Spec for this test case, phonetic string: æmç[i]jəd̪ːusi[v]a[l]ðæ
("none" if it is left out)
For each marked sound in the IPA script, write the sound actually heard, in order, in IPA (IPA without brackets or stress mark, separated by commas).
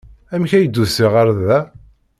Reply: æ, ʁ, ɾ